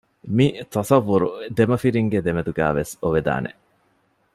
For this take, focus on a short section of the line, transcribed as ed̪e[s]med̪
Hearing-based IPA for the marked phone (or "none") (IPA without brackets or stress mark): none